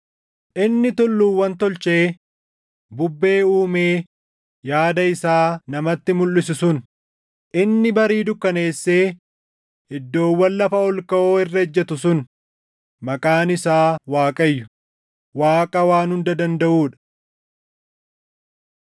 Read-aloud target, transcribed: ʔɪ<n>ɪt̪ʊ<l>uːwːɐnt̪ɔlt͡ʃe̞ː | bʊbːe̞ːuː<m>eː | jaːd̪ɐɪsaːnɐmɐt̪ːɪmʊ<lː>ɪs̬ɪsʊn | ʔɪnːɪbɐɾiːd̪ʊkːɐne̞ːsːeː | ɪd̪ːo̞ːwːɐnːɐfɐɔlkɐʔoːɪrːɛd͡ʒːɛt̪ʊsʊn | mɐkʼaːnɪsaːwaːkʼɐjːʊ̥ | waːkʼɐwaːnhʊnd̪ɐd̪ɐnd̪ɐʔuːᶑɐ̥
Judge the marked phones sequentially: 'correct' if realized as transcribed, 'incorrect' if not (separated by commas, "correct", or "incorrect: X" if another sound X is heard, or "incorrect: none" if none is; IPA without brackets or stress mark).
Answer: incorrect: nː, incorrect: lː, correct, correct